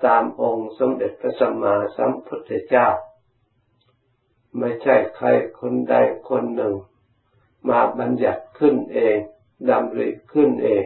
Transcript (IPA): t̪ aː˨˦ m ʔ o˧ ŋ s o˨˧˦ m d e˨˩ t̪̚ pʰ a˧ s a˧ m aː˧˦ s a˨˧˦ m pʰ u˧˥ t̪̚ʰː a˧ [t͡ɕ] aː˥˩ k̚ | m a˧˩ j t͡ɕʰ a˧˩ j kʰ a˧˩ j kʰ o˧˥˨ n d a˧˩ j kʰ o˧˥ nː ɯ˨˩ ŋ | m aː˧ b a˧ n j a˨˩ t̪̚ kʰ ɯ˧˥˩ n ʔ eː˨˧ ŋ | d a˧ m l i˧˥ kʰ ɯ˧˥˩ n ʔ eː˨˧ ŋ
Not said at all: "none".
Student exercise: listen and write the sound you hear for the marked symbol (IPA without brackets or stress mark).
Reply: t͡ɕ